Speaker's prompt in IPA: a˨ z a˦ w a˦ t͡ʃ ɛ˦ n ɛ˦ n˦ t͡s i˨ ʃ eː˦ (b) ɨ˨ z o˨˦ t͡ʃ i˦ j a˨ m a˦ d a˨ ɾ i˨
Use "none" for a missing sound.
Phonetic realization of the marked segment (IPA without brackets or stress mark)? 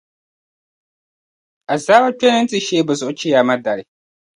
b